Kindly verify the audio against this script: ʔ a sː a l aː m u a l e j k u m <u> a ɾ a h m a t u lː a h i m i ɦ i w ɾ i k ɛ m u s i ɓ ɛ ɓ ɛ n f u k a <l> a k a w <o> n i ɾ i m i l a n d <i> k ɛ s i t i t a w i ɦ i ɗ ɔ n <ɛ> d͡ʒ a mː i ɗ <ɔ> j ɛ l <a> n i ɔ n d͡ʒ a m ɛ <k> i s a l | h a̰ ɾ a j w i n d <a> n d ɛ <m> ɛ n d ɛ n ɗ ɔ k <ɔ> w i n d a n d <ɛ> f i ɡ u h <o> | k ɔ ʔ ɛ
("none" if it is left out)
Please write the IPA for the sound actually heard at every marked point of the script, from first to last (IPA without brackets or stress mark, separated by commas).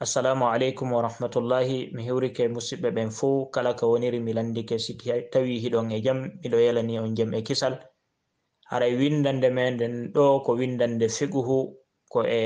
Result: w, l, o, i, ɛ, ɔ, a, k, a, m, ɔ, ɛ, u